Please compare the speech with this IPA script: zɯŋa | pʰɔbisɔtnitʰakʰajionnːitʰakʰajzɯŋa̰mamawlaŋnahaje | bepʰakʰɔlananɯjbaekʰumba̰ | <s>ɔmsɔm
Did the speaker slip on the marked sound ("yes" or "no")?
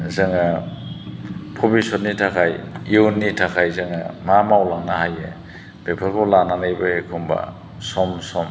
no